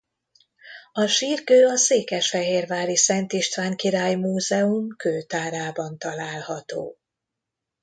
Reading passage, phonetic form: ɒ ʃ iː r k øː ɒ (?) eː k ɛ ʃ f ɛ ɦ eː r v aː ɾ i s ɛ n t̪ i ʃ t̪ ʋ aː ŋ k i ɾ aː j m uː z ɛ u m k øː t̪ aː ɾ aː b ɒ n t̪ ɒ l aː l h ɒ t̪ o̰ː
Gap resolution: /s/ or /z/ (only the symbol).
s